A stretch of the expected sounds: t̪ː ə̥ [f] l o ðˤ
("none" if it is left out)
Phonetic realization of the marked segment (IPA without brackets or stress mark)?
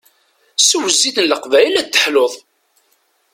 ħ